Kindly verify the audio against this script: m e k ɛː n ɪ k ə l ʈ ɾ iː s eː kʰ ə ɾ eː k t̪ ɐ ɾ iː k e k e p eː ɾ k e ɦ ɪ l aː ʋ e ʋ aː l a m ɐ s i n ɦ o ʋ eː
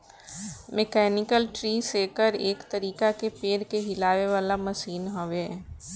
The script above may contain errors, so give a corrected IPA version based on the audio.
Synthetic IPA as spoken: m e k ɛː n ɪ k ə l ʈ ɾ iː s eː k ə ɾ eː k t̪ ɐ ɾ iː k a k e p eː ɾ k e ɦ ɪ l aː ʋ e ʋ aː l a m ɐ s iː n ɦ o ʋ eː